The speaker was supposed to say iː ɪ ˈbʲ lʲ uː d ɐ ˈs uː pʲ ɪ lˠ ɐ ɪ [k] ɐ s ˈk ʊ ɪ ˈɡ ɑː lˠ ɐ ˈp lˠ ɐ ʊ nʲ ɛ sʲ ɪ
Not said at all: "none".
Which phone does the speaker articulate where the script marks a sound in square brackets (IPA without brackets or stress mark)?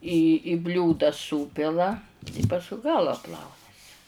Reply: p